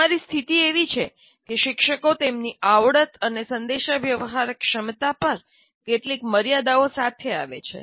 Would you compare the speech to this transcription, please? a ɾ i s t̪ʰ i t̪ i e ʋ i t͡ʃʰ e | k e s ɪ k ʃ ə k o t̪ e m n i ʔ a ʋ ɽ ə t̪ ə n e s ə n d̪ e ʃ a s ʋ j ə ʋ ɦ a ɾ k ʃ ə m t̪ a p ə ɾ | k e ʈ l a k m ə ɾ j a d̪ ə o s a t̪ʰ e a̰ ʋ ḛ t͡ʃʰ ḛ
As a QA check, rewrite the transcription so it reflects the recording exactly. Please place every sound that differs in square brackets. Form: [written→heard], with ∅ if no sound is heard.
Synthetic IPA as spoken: a ɾ i s t̪ʰ i t̪ i e ʋ i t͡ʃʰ e | k e [s→ʃ] ɪ k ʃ ə k o t̪ e m n i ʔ a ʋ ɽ ə t̪ ə n e s ə n d̪ e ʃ a [s→∅] ʋ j ə ʋ ɦ a ɾ k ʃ ə m t̪ a p ə ɾ | k e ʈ l [a→i] k m ə ɾ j a d̪ [ə→a] o s a t̪ʰ e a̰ ʋ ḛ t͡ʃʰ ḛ